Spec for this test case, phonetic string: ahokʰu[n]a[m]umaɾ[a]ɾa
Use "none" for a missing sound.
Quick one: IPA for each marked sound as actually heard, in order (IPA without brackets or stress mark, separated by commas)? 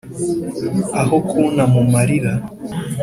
n, m, i